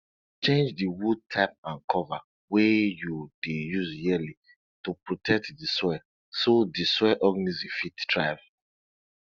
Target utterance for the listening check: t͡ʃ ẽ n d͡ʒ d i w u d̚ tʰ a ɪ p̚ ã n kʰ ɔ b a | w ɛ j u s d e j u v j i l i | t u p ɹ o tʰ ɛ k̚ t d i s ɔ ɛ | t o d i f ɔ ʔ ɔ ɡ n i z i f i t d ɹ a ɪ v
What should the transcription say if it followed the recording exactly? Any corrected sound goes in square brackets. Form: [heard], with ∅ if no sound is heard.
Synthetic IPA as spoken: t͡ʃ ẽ n d͡ʒ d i w u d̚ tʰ a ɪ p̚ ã n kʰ ɔ [v] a | w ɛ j u [∅] d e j u [z] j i l i | t u p ɹ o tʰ ɛ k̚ t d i s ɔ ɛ | [s] o d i [s] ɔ ʔ ɔ ɡ n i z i f i t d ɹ a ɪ v